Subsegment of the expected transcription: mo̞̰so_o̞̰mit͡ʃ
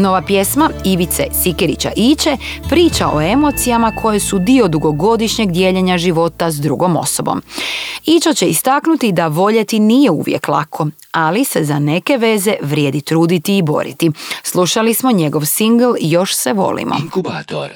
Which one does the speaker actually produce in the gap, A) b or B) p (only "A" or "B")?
A